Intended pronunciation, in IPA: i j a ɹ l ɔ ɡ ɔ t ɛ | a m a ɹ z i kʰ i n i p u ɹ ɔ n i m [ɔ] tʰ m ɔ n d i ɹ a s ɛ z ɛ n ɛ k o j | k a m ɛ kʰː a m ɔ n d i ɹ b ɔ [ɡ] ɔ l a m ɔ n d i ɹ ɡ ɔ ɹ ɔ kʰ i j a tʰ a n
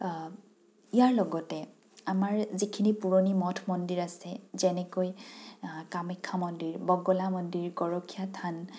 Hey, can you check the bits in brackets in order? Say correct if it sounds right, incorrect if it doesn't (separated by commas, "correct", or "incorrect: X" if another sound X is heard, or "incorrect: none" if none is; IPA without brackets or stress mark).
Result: correct, correct